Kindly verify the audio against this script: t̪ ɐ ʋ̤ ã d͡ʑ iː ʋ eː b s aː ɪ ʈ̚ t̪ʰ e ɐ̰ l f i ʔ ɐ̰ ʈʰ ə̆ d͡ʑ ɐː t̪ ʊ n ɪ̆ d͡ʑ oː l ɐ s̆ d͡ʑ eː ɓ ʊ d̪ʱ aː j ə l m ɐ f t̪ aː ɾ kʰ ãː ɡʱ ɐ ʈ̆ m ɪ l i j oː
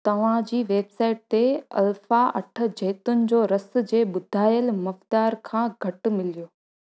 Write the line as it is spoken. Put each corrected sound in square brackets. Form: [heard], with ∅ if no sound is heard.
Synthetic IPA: t̪ ɐ ʋ̤ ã d͡ʑ iː ʋ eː b s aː ɪ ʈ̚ [t̪] e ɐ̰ l f [a] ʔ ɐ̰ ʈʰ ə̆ d͡ʑ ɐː t̪ ʊ n ɪ̆ d͡ʑ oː [ɾ] ɐ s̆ d͡ʑ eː ɓ ʊ d̪ʱ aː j ə l m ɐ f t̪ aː ɾ kʰ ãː ɡʱ ɐ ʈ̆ m ɪ l i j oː

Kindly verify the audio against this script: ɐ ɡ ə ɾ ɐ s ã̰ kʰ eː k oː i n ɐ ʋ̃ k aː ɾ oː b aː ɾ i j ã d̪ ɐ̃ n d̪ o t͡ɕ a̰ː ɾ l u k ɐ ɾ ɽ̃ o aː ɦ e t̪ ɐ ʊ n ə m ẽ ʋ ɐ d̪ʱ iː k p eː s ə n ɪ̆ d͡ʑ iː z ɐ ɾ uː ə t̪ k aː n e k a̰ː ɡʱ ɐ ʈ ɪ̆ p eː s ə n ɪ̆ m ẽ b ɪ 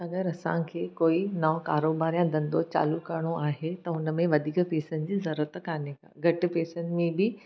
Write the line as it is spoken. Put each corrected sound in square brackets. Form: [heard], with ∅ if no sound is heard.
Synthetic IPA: ɐ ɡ ə ɾ ɐ s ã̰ kʰ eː k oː i n ɐ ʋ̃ k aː ɾ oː b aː ɾ i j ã d̪ ɐ̃ n d̪ o t͡ɕ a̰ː [∅] l u k ɐ ɾ ɽ̃ o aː ɦ e t̪ ɐ ʊ n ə m ẽ ʋ ɐ d̪ʱ iː k p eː s ə n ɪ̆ d͡ʑ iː z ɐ ɾ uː ə t̪ k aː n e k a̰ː ɡʱ ɐ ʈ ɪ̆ p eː s ə n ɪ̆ m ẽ b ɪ

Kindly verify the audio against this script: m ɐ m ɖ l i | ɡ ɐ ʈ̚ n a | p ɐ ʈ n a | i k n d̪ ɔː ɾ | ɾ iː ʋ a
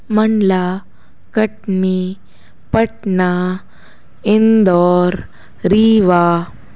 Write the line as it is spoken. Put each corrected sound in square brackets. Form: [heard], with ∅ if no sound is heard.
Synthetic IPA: m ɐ [ɳ] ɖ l [a] | [k] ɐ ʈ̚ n [i] | p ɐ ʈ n a | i [∅] n d̪ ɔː ɾ | ɾ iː ʋ a

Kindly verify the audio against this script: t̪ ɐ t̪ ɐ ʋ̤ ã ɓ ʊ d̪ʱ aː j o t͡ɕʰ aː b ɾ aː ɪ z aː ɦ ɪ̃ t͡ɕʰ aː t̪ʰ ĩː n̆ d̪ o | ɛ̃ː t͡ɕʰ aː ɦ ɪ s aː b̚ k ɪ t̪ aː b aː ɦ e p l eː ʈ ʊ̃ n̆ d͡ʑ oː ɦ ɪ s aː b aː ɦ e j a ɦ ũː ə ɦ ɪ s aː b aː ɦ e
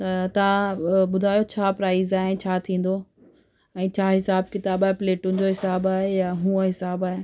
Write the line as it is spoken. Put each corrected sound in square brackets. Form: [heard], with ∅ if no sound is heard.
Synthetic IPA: t̪ ɐ t̪ ɐ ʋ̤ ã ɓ ʊ d̪ʱ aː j o t͡ɕʰ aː [p] ɾ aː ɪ z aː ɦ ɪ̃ t͡ɕʰ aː t̪ʰ ĩː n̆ d̪ o | ɛ̃ː t͡ɕʰ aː ɦ ɪ s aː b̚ k ɪ t̪ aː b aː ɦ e p l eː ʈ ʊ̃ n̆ d͡ʑ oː ɦ ɪ s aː b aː ɦ e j a ɦ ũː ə ɦ ɪ s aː b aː ɦ e

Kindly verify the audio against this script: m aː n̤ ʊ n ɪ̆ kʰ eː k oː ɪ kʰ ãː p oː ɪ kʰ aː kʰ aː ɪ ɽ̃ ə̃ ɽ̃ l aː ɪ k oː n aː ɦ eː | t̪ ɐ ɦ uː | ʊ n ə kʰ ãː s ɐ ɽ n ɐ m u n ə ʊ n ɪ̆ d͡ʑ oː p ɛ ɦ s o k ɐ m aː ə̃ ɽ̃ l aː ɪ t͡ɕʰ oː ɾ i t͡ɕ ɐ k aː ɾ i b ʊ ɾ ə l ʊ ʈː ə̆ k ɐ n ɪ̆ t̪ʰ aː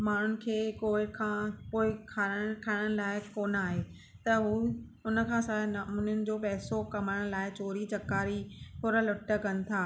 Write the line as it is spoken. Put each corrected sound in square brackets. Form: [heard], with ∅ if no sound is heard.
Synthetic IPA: m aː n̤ ʊ n ɪ̆ kʰ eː k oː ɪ kʰ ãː p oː ɪ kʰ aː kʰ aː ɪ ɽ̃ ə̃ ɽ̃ l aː ɪ k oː n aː ɦ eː | t̪ ɐ ɦ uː | ʊ n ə kʰ ãː s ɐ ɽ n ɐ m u n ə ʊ n ɪ̆ d͡ʑ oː p ɛ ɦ s o k ɐ m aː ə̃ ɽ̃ l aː ɪ [t͡ɕ] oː ɾ i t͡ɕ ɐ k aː ɾ i [p] ʊ ɾ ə l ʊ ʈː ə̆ k ɐ n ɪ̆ t̪ʰ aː

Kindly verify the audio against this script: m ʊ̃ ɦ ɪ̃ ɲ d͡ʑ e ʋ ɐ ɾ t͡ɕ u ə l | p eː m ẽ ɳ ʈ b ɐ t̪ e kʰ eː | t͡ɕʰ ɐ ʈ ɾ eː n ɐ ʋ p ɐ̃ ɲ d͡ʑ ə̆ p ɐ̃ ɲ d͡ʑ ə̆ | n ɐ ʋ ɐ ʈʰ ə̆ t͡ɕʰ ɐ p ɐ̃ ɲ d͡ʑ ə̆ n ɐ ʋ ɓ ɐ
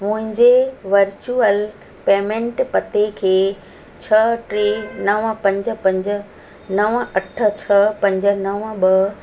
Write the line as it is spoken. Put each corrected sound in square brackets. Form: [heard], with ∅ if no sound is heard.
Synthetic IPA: m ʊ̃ ɦ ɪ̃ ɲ d͡ʑ e ʋ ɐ ɾ t͡ɕ u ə l | p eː m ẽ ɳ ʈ [p] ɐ t̪ e kʰ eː | t͡ɕʰ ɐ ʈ ɾ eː n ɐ ʋ p ɐ̃ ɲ d͡ʑ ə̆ p ɐ̃ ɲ d͡ʑ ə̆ | n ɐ ʋ ɐ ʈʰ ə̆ t͡ɕʰ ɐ p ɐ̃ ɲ d͡ʑ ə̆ n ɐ ʋ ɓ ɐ

